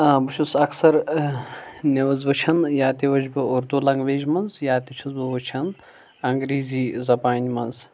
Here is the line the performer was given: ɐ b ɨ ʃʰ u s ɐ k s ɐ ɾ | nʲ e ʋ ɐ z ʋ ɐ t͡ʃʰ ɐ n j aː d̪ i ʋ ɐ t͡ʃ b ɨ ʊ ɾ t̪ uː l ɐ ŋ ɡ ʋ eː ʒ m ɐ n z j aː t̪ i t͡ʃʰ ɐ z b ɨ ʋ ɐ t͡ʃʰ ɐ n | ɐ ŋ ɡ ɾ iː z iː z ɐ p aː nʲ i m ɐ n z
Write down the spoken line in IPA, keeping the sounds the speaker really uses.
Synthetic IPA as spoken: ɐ b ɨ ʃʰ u s ɐ k s ɐ ɾ | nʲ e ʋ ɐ z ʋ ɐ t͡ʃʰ ɐ n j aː t̪ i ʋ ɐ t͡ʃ b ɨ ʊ ɾ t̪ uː l ɐ ŋ ɡ ʋ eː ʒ m ɐ n z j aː t̪ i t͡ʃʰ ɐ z b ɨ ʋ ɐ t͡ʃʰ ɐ n | ɐ ŋ ɡ ɾ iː z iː z ɐ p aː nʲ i m ɐ n z